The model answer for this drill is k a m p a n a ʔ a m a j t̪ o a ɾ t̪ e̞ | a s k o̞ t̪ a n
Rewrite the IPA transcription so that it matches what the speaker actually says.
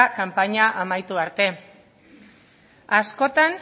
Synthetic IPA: k a m p a ɲ a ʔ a m a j t̪ u a ɾ t̪ e̞ | a s k o̞ t̪ a n